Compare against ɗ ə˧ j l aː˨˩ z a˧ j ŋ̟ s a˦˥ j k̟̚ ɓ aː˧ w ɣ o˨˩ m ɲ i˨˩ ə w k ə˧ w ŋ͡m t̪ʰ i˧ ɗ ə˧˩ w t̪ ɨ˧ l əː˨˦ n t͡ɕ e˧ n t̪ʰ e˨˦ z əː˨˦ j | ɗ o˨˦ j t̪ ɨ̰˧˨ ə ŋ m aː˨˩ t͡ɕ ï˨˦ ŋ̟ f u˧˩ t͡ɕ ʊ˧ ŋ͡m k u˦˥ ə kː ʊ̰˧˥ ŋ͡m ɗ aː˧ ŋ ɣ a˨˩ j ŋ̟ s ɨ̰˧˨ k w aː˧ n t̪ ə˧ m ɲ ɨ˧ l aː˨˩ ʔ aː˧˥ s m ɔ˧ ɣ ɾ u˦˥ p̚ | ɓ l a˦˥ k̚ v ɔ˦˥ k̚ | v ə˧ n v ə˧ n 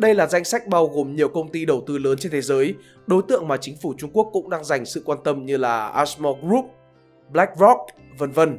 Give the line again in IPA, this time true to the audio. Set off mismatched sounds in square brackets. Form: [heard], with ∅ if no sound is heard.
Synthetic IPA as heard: ɗ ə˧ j l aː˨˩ z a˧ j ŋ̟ s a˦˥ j k̟̚ ɓ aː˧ w ɣ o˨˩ m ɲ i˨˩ ə w k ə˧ w ŋ͡m [t̪] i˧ ɗ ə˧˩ w t̪ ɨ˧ l əː˨˦ n t͡ɕ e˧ n t̪ʰ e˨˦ z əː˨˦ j | ɗ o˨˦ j t̪ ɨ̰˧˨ ə ŋ m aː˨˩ t͡ɕ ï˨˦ ŋ̟ f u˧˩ t͡ɕ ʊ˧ ŋ͡m k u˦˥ ə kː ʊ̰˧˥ ŋ͡m ɗ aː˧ ŋ [z] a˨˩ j ŋ̟ s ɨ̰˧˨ k w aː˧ n t̪ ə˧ m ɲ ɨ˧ l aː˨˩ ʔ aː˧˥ s m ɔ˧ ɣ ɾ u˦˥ p̚ | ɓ l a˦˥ k̚ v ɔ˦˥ k̚ | v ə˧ n v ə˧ n

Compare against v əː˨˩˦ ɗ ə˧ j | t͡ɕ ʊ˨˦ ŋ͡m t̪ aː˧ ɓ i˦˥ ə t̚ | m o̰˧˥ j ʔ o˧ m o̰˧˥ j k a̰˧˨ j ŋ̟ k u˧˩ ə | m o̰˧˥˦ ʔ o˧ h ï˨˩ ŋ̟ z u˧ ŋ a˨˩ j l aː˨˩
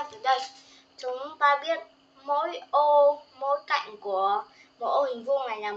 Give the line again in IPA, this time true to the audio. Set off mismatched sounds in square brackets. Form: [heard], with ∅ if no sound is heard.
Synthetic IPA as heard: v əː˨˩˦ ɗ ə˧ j | t͡ɕ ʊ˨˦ ŋ͡m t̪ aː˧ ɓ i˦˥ ə t̚ | m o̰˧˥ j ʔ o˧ m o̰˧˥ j k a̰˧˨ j ŋ̟ k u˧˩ ə | m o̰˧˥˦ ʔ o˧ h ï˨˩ ŋ̟ [v] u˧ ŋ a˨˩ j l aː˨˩

